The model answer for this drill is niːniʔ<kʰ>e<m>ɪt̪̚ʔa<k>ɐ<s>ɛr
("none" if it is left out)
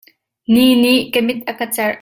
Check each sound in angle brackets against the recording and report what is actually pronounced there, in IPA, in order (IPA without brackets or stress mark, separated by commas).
k, m, k, t͡s